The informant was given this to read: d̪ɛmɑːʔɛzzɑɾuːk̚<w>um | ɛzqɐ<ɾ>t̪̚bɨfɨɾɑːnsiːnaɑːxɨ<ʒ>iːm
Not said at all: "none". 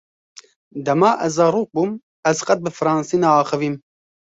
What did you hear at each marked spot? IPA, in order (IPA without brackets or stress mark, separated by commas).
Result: b, none, v